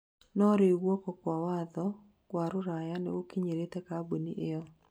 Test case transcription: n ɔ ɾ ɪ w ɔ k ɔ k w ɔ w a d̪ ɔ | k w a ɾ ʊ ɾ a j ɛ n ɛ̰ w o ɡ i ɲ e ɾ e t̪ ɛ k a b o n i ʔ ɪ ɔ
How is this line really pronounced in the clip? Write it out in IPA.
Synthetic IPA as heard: n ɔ ɾ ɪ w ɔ k ɔ k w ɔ w a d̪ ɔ | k w a ɾ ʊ ɾ a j a n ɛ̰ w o k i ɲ e ɾ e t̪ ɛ k a b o n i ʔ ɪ ɔ